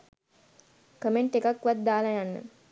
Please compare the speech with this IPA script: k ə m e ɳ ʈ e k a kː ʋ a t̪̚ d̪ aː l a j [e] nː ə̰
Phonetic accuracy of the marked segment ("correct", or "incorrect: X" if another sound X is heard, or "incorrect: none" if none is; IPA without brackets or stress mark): incorrect: a